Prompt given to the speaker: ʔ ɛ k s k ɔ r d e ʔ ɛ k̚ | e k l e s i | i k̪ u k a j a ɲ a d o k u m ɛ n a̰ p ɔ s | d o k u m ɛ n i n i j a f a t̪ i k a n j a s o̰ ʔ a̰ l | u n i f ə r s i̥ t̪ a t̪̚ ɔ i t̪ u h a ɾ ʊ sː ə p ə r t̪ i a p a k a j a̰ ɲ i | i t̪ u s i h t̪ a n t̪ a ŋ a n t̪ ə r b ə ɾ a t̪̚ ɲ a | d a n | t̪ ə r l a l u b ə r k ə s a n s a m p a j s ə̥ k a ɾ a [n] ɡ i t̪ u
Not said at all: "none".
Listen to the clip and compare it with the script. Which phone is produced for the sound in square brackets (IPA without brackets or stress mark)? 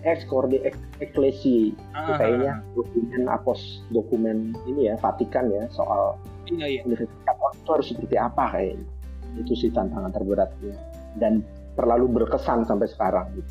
ŋ